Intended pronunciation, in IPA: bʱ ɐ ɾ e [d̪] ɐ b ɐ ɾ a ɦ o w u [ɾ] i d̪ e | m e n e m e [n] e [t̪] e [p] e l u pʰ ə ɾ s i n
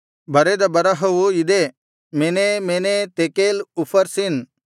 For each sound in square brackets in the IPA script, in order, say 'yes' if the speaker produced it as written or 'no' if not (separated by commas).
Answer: yes, no, yes, yes, no